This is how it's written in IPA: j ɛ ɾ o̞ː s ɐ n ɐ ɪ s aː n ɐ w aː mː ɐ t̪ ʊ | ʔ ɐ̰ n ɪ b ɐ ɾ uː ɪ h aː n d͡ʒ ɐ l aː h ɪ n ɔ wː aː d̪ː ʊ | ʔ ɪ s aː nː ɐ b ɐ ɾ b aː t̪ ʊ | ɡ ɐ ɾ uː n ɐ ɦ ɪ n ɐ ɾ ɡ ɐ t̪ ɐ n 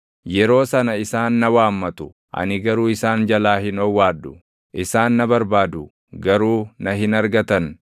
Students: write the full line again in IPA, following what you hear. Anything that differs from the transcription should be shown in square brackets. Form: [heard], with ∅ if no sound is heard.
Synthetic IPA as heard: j ɛ ɾ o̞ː s ɐ n ɐ ɪ s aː [nː] ɐ w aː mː ɐ t̪ ʊ | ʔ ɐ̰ n ɪ [ɡ] ɐ ɾ uː ɪ [s] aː n d͡ʒ ɐ l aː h ɪ n ɔ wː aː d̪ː ʊ | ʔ ɪ s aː nː ɐ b ɐ ɾ b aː [d̪] ʊ | ɡ ɐ ɾ uː n ɐ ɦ ɪ n ɐ ɾ ɡ ɐ t̪ ɐ n